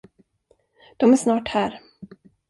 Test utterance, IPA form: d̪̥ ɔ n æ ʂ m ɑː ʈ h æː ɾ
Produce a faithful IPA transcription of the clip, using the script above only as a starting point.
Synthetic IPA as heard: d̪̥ ɔ m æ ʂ n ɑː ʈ h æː ɾ